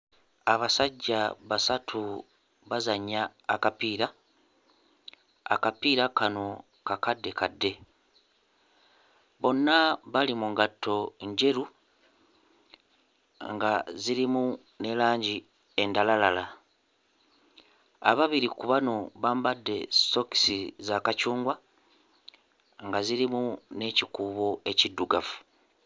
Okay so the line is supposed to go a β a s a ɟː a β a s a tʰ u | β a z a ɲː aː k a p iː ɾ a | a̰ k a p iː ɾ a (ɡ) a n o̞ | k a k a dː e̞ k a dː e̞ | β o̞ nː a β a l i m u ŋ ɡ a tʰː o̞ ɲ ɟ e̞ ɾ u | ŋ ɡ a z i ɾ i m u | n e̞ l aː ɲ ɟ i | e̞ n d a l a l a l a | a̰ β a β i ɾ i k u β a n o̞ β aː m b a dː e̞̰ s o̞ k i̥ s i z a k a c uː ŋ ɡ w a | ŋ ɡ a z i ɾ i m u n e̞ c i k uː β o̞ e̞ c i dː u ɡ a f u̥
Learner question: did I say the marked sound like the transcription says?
no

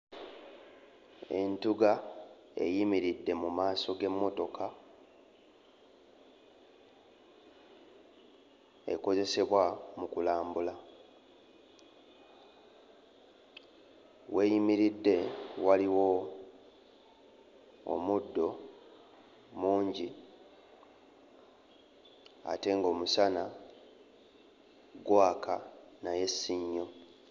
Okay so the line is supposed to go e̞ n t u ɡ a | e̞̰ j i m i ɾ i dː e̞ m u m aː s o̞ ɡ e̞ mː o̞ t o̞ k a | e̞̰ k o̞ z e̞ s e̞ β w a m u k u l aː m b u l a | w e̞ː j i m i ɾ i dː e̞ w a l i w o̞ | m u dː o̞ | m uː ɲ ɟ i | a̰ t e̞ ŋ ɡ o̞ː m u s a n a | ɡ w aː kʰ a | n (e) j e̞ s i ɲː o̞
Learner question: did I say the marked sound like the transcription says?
no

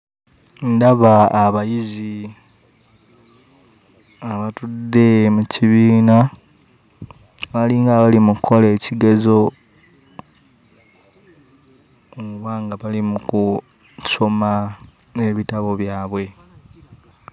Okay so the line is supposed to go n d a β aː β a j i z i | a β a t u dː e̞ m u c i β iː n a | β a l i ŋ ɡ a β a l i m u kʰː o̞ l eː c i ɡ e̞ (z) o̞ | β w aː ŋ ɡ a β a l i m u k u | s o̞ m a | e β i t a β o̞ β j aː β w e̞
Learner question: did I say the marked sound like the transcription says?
yes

